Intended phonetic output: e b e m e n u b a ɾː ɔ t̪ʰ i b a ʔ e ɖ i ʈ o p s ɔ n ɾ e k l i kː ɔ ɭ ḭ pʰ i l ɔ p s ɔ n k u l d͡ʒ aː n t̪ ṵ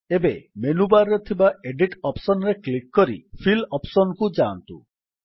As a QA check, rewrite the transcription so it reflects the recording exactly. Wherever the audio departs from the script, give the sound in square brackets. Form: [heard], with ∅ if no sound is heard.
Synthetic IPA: e b e m e n u b a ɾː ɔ t̪ʰ i b a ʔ e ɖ i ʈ [ɔ] p s ɔ n ɾ e k l i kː ɔ [ɾ] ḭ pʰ i l ɔ p s ɔ n k u [∅] d͡ʒ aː n t̪ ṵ